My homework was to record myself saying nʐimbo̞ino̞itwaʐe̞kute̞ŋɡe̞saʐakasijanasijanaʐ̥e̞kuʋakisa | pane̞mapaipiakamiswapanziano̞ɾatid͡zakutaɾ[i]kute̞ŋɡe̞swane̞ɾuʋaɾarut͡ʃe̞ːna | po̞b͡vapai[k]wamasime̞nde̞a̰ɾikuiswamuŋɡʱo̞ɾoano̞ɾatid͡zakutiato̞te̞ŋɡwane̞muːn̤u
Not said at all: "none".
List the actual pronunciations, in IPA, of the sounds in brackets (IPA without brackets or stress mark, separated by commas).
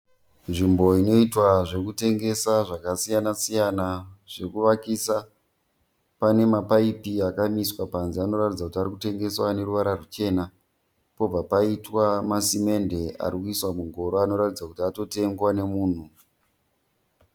i, t